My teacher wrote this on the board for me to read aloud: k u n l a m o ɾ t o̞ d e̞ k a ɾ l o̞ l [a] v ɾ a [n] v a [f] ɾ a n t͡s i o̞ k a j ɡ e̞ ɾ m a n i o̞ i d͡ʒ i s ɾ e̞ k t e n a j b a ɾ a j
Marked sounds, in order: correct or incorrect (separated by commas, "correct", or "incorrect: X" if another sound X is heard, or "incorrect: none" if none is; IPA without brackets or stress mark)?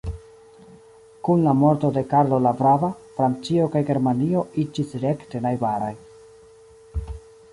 correct, incorrect: none, correct